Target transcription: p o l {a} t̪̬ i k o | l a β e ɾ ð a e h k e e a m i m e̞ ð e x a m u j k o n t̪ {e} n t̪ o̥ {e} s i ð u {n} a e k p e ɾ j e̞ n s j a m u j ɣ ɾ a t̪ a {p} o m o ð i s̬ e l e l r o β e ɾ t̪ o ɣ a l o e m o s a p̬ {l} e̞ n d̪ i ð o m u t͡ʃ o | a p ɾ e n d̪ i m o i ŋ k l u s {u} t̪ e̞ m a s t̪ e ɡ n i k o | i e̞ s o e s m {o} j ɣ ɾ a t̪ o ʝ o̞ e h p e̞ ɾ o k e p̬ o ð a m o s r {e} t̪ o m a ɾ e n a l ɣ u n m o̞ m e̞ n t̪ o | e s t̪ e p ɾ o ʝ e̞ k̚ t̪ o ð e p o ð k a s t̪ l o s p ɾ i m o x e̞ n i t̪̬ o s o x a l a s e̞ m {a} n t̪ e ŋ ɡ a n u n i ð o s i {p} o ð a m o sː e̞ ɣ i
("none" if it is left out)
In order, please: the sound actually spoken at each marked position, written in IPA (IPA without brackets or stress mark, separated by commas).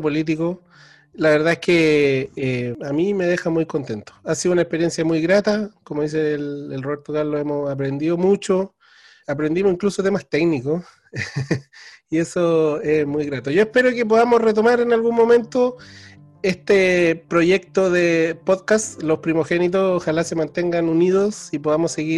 i, e, a, n, k, ɾ, o, u, e, a, p